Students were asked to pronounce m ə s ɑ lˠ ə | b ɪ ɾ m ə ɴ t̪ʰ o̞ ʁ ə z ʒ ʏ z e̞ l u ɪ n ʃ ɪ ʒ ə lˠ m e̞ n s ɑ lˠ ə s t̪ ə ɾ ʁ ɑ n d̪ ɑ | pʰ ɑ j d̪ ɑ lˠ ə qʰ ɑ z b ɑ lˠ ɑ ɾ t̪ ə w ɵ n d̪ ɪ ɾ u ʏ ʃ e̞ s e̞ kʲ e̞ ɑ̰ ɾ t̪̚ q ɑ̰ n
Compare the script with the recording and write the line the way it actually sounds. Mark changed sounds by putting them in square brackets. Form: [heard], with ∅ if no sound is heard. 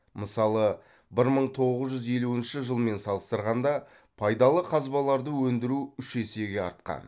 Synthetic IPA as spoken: m ə s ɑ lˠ ə | b ɪ ɾ m ə ɴ t̪ʰ o̞ ʁ ə z ʒ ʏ z e̞ l u ɪ n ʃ ɪ ʒ ə lˠ m e̞ n s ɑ lˠ ə s t̪ ə ɾ ʁ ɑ n d̪ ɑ | pʰ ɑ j d̪ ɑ lˠ ə qʰ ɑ z b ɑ lˠ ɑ ɾ [d̪] ə w ɵ n d̪ ɪ ɾ u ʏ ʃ e̞ s e̞ [ɡʲ] e̞ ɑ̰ ɾ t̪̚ q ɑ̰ n

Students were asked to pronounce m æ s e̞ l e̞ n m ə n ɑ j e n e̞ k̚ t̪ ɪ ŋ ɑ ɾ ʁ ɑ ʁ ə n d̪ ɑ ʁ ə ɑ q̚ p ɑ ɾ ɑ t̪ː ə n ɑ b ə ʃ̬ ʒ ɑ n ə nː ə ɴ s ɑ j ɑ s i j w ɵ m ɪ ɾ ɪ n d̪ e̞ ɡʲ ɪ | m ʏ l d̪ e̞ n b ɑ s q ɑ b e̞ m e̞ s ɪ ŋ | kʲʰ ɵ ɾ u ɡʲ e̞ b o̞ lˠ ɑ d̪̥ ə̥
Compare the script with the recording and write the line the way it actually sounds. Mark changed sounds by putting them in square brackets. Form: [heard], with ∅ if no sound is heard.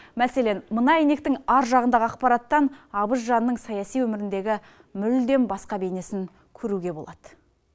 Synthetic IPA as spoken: m æ s e̞ l e̞ n m ə n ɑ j e n e̞ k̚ t̪ ɪ ŋ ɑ ɾ [ʒ] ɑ ʁ ə n d̪ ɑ ʁ ə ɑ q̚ p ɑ ɾ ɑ t̪ː [ɑ] n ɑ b ə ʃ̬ ʒ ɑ n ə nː ə ɴ s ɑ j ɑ s i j w ɵ m ɪ ɾ ɪ n d̪ e̞ ɡʲ ɪ | m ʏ l d̪ e̞ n b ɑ s q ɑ b e̞ [n] e̞ s ɪ ŋ | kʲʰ ɵ ɾ u ɡʲ e̞ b o̞ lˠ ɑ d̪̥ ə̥

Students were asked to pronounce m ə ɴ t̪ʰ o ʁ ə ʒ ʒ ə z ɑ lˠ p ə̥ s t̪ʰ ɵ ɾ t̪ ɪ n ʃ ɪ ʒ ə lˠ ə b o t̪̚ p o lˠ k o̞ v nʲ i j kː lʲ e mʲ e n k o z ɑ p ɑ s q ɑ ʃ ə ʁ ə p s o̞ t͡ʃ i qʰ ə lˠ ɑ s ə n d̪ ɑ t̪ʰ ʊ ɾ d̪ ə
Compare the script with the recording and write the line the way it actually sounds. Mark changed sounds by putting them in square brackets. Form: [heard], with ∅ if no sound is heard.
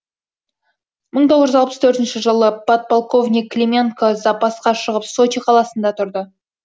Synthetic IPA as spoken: m ə ɴ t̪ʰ o ʁ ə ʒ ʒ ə z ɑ lˠ p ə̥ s t̪ʰ ɵ ɾ t̪ ɪ n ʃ ɪ ʒ ə lˠ ə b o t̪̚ p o lˠ k o̞ v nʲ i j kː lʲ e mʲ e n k o z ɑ p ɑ s q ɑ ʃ ə ʁ ə p s o̞ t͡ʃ i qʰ [ɑ] lˠ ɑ s ə n d̪ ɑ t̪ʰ ʊ ɾ d̪ ə

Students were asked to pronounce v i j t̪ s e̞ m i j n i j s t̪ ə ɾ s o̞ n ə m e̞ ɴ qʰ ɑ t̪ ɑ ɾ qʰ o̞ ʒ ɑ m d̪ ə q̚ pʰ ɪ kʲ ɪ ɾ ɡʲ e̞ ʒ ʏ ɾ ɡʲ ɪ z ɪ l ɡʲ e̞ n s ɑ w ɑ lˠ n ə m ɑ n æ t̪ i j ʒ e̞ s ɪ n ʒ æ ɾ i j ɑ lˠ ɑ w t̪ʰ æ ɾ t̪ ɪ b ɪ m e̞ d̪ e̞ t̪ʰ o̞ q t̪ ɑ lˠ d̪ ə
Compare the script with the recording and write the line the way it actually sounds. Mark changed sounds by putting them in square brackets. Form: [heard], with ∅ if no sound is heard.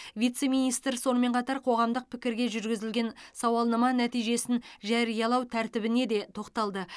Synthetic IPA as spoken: v i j t̪ s e̞ m i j n i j s t̪ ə ɾ s o̞ n ə m e̞ ɴ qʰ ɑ t̪ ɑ ɾ qʰ o̞ [ʁ] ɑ m d̪ ə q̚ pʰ ɪ kʲ ɪ ɾ ɡʲ e̞ ʒ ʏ ɾ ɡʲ ɪ z ɪ l ɡʲ e̞ n s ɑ w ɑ lˠ n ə m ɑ n æ t̪ i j ʒ e̞ s ɪ n ʒ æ ɾ i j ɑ lˠ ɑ w t̪ʰ æ ɾ t̪ ɪ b ɪ [n] e̞ d̪ e̞ t̪ʰ o̞ q t̪ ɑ lˠ d̪ ə

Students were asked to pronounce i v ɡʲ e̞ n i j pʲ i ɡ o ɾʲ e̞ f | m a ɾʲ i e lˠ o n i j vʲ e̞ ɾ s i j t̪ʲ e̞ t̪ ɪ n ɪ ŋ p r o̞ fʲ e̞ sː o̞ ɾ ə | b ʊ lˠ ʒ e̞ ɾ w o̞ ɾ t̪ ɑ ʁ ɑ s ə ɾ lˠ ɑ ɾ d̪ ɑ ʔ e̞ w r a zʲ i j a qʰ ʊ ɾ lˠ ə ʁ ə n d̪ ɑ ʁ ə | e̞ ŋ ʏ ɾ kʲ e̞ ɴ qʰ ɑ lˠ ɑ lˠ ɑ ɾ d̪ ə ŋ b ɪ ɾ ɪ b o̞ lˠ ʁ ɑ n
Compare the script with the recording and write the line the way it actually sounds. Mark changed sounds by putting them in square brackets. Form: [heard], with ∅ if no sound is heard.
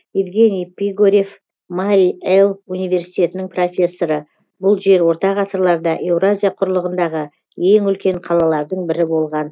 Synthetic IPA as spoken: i v ɡʲ e̞ n i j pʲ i ɡ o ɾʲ e̞ f | m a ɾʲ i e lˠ [u] n i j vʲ e̞ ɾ s i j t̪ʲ e̞ t̪ ɪ n ɪ ŋ p r o̞ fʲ e̞ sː o̞ ɾ ə | b ʊ lˠ ʒ e̞ ɾ w o̞ ɾ t̪ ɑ ʁ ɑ s ə ɾ lˠ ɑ ɾ d̪ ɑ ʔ e̞ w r a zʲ i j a qʰ ʊ ɾ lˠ ə ʁ ə n d̪ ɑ ʁ ə | e̞ ŋ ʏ [l] kʲ e̞ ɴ qʰ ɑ lˠ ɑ lˠ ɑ ɾ d̪ ə [ɴ] b ɪ ɾ ɪ b o̞ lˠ ʁ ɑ n

